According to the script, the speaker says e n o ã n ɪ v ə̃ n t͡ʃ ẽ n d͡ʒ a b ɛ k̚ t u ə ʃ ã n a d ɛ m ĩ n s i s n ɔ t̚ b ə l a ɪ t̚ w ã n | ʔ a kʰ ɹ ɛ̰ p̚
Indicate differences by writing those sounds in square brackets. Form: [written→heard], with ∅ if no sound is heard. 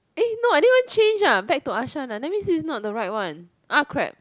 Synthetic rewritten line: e n o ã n [ɪ→i] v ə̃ n t͡ʃ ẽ n d͡ʒ a b ɛ k̚ t u [ə→a] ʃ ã n a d ɛ m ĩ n s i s n ɔ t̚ [b→d] ə [l→ɹ] a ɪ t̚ w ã n | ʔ a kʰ ɹ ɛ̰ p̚